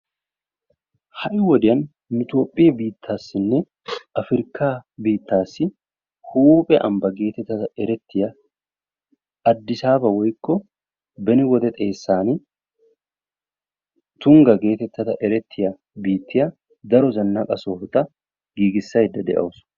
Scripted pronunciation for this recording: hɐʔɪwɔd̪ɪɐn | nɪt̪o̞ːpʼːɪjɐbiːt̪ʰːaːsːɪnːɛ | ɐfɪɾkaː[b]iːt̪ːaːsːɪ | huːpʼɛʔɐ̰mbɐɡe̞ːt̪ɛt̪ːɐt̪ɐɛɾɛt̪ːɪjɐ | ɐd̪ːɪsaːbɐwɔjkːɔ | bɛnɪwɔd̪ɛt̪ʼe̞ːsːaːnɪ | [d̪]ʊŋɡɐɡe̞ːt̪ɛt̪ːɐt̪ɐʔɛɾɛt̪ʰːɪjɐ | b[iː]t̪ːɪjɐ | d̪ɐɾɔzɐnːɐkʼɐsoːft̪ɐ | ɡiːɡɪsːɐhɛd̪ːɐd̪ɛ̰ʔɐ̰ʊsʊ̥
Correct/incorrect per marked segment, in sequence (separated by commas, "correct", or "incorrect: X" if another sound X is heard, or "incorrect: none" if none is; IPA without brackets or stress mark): correct, incorrect: t̪, correct